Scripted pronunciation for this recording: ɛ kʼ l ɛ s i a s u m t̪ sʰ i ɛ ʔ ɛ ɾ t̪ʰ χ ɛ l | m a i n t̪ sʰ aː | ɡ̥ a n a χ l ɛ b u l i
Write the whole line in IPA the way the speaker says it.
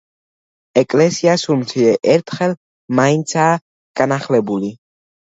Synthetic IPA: ɛ kʼ l ɛ s i a s u m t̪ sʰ i ɛ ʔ ɛ ɾ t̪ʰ χ ɛ l | m a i n t̪ sʰ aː | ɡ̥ a n a χ l ɛ b u l i